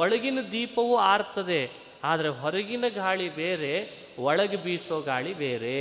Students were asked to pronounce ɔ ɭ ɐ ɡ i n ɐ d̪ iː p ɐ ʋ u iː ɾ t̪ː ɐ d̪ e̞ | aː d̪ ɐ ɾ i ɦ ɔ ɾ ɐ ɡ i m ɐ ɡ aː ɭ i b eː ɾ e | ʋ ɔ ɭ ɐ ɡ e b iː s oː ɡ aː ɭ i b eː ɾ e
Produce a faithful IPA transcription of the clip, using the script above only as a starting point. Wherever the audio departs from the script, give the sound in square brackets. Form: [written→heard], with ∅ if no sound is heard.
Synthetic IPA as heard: ɔ ɭ ɐ ɡ i n ɐ d̪ iː p ɐ ʋ u [iː→aː] ɾ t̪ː ɐ d̪ e̞ | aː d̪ ɐ ɾ [i→e] ɦ ɔ ɾ ɐ ɡ i [m→n] ɐ ɡ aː ɭ i b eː ɾ e | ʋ ɔ ɭ ɐ ɡ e b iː s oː ɡ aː ɭ i b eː ɾ e